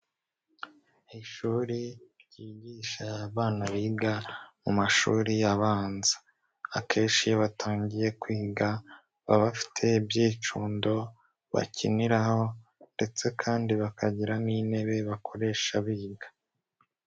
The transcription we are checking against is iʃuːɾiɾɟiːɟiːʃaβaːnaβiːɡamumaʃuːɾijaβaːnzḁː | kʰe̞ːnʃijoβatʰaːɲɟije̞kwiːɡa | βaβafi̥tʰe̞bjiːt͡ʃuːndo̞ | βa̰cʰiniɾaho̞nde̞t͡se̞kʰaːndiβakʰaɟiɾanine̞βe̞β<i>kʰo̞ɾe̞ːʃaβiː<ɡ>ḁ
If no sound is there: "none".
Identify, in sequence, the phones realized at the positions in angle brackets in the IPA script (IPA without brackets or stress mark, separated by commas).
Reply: a, ɡ